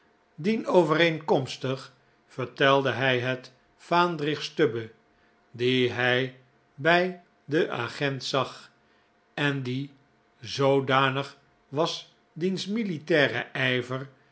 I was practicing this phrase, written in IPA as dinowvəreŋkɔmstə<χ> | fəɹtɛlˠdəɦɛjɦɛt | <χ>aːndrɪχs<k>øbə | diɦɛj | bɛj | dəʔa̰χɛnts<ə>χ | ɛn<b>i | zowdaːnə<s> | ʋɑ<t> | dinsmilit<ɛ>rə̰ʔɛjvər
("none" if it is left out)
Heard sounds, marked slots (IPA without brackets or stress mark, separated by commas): χ, f, t, ɑ, d, χ, s, ɛː